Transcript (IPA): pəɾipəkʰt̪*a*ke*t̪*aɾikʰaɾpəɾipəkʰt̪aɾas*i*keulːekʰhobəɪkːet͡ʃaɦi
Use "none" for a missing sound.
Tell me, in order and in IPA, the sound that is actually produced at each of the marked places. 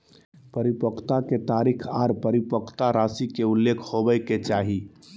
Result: a, t̪, i

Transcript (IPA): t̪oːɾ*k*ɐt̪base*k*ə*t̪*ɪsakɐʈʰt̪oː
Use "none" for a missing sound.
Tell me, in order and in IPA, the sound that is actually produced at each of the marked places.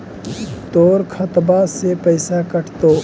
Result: kʰ, p, none

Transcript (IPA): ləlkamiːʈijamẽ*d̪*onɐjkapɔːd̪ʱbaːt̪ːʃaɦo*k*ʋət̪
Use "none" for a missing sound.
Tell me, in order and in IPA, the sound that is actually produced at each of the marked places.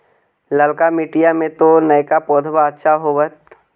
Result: t̪, none

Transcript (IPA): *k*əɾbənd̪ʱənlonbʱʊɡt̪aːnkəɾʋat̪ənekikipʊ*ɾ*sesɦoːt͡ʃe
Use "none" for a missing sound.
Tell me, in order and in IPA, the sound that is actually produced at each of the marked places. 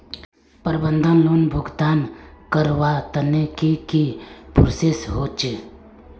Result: p, ɾ

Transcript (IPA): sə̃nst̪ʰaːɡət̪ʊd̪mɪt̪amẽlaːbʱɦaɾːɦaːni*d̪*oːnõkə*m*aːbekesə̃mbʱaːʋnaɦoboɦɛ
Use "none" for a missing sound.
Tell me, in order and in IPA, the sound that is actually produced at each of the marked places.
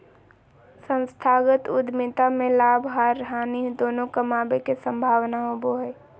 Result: d̪, m

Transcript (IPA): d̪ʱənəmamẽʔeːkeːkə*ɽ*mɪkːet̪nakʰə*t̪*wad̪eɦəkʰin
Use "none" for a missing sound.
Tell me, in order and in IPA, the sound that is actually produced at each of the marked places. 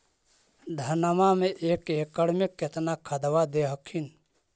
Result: ɽ, d̪

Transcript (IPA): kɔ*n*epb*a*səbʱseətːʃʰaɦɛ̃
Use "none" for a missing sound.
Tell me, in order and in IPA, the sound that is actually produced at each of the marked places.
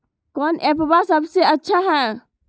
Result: n, a

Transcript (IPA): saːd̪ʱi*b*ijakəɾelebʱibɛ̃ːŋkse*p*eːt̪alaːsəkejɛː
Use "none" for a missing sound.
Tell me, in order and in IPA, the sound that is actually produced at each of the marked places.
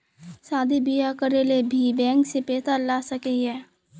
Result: b, p

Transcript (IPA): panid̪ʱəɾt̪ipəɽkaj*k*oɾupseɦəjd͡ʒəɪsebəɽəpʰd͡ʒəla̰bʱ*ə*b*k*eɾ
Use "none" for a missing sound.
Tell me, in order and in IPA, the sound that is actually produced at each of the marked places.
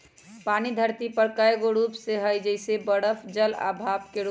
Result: ɡ, a, k

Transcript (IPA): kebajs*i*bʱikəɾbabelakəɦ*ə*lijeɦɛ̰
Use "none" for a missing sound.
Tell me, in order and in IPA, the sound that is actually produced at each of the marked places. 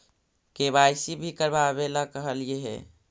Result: i, ə

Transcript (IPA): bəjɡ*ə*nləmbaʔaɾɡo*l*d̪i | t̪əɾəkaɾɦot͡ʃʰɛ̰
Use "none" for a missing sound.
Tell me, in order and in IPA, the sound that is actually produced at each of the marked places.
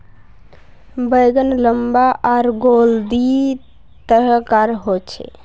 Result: ə, l

